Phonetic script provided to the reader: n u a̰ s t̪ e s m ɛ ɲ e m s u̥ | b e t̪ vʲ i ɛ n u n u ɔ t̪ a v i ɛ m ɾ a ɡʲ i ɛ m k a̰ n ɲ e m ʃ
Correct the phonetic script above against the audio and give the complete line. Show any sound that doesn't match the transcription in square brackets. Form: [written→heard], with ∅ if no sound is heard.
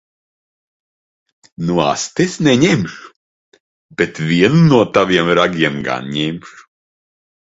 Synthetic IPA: n u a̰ s t̪ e s [m→n] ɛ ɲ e m [s→ʃ] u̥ | b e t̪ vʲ i ɛ n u n u ɔ t̪ a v i ɛ m ɾ a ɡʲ i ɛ m [k→ɡ] a̰ n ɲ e m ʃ